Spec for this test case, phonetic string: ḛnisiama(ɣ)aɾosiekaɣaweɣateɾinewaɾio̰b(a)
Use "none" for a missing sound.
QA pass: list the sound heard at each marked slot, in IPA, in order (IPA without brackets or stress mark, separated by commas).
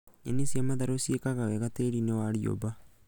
ð, a